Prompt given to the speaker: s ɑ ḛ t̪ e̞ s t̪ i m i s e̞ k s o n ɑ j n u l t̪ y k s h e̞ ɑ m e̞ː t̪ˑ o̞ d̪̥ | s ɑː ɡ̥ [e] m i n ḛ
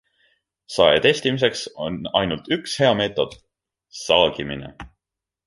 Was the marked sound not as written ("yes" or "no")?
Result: yes